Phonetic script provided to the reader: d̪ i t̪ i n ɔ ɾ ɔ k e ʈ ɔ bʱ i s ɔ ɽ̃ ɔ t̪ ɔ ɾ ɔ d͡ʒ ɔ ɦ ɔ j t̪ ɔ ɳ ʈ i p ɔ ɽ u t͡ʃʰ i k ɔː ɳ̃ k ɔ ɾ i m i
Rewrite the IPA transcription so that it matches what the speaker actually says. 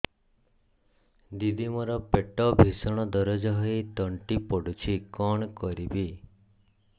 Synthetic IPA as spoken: d̪ i d̪ i m ɔ ɾ ɔ p e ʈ ɔ bʱ i s ɔ ɽ̃ ɔ d̪ ɔ ɾ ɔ d͡ʒ ɔ ɦ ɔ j t̪ ɔ ɳ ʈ i p ɔ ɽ u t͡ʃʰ i k ɔ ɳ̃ k ɔ ɾ i b i